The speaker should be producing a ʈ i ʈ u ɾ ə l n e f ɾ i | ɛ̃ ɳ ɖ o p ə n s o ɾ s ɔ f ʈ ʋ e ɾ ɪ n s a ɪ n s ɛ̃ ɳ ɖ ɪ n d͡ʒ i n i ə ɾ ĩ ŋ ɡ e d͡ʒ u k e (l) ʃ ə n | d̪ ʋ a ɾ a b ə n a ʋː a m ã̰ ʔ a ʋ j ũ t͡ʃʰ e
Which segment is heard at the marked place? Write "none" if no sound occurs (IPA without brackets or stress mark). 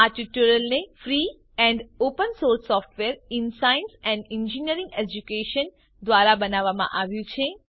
none